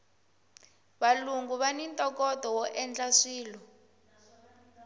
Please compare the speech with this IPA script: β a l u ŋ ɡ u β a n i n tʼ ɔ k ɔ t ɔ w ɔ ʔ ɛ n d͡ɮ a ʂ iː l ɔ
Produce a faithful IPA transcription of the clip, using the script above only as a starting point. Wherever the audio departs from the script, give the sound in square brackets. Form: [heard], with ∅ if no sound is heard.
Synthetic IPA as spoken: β a l u ŋ ɡ u β a n i n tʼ ɔ k ɔ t ɔ w ɔ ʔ ɛ n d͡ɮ a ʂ iː l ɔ